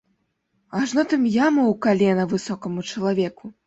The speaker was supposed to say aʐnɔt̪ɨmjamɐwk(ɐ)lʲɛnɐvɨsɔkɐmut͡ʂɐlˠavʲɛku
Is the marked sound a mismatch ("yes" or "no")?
yes